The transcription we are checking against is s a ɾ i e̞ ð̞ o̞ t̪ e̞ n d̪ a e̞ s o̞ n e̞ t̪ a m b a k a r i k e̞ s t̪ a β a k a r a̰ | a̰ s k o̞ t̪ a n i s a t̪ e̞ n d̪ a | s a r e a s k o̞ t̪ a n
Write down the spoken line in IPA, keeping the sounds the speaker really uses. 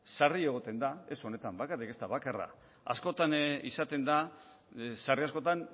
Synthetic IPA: s a r i e̞ ɣ̞ o̞ t̪ e̞ n d̪ a e̞ s o̞ n e̞ t̪ a m b a k a r i k e̞ s t̪ a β a k a r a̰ | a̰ s k o̞ t̪ a n i s a t̪ e̞ n d̪ a | s a r i a s k o̞ t̪ a n